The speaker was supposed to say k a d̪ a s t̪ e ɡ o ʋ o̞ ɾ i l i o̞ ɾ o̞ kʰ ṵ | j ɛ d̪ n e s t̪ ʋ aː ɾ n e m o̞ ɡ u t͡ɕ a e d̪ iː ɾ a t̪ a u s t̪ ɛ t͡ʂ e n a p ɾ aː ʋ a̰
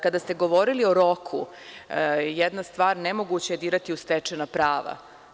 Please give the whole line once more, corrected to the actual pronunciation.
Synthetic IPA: k a d̪ a s t̪ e ɡ o ʋ o̞ ɾ i l i o̞ ɾ o̞ kʰ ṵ | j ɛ d̪ n a s t̪ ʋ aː ɾ n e m o̞ ɡ u t͡ɕ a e d̪ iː ɾ a t̪ i u s t̪ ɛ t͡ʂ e n a p ɾ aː ʋ a̰